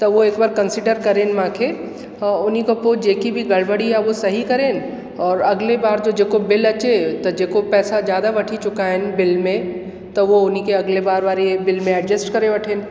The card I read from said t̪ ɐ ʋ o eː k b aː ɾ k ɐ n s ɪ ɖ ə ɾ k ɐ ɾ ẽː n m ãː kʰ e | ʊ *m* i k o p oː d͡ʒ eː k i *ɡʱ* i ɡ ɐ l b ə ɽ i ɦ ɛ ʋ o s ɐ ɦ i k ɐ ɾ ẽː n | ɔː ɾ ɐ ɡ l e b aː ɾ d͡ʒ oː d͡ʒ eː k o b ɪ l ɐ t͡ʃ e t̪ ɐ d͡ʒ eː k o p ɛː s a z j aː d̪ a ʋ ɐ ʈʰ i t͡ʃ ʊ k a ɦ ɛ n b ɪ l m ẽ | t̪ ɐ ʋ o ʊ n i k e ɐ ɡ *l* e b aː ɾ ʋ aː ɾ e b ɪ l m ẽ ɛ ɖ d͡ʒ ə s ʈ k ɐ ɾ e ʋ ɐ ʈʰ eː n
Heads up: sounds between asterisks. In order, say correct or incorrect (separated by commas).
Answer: incorrect, incorrect, correct